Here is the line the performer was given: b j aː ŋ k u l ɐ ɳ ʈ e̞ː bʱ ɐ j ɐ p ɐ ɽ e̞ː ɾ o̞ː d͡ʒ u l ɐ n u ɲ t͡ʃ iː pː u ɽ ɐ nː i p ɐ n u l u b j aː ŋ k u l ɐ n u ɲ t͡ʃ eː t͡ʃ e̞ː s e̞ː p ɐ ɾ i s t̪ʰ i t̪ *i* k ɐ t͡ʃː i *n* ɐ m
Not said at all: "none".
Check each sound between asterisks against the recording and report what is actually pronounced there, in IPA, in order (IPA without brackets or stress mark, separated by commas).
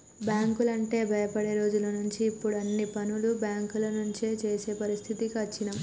i, n